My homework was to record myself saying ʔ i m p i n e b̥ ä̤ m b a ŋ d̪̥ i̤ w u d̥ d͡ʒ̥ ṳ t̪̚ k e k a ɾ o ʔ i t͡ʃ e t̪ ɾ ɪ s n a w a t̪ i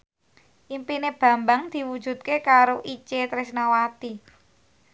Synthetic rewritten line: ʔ i m p i n e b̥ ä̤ m b a ŋ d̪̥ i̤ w u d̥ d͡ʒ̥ ṳ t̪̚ k e k a ɾ o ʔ i t͡ʃ e t̪ ɾ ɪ s n a w a t̪ i